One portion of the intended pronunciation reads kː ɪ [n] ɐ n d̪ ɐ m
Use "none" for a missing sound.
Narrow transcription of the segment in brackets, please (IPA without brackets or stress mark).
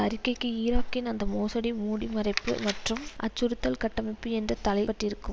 n